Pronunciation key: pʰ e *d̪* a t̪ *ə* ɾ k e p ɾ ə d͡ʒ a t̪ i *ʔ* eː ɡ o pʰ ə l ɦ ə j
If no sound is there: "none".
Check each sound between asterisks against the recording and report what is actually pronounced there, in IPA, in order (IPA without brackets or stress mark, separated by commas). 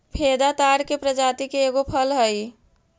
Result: d̪, a, k